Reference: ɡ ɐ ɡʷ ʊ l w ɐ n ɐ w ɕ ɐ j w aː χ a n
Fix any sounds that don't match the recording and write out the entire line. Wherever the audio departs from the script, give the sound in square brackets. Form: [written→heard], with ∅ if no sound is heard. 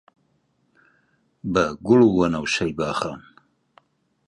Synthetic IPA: [ɡ→b] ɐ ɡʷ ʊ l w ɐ n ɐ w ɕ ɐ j [w→b] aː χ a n